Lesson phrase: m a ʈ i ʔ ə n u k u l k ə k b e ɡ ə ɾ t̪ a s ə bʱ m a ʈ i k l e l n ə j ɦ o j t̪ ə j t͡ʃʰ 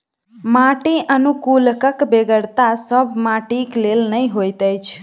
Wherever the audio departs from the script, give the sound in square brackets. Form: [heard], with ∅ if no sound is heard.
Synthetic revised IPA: m a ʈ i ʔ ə n u k u l k ə k b e ɡ ə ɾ t̪ a s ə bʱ m a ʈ i k l e l n ə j ɦ o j t̪ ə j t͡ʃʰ